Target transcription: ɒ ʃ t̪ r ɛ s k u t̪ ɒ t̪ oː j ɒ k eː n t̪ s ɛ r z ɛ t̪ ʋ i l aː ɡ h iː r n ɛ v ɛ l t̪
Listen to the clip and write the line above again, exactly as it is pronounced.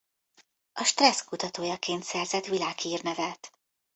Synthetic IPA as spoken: ɒ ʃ t̪ r ɛ s k u t̪ ɒ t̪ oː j ɒ k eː n t̪ s ɛ r z ɛ t̪ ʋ i l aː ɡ h iː r n ɛ v ɛ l t̪